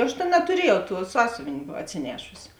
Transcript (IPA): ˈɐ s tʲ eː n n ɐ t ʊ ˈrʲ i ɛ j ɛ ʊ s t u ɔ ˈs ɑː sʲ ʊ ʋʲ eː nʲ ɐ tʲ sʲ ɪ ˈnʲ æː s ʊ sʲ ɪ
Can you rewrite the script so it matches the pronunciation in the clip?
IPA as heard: ˈɐ ʃ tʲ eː n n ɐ t ʊ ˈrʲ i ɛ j ɛ ʊ t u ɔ ˈs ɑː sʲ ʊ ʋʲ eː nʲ ɐ tʲ sʲ ɪ ˈnʲ æː ʃ ʊ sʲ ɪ